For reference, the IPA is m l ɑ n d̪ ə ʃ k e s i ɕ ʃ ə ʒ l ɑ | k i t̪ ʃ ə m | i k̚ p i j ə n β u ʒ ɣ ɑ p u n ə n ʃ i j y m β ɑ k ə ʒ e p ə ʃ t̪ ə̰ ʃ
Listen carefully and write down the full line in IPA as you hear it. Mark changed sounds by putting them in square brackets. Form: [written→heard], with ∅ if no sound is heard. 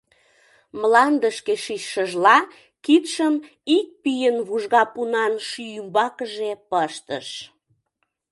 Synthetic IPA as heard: m l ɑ n d̪ ə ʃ k e [s→ʃ] i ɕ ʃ ə ʒ l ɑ | k i t̪ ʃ ə m | i k̚ p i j ə n β u ʒ ɣ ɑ p u n [ə→ɑ] n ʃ [i→y] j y m [β→b] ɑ k ə ʒ e p ə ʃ t̪ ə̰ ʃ